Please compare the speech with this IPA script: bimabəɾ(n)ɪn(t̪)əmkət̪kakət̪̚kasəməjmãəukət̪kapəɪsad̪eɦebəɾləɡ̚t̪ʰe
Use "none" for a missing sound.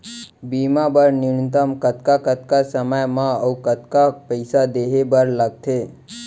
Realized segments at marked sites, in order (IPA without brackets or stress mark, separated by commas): n, t̪